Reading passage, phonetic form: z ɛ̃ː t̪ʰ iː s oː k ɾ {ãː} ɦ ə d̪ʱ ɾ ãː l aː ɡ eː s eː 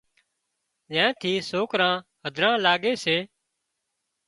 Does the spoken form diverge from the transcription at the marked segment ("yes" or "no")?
no